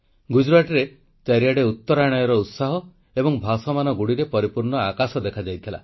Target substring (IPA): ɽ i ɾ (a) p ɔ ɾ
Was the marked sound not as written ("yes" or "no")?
yes